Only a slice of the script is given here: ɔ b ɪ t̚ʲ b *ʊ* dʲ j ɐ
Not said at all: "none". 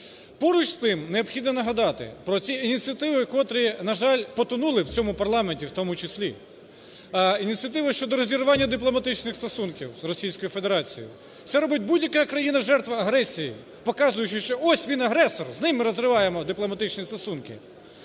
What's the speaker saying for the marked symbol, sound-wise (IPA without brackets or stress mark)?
u